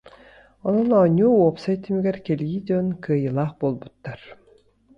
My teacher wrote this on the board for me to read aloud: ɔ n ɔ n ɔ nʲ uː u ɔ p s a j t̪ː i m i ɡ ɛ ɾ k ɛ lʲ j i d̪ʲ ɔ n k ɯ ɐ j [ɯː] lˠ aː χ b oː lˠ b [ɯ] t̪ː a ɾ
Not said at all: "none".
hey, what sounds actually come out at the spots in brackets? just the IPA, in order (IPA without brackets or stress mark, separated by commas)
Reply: ɯ, u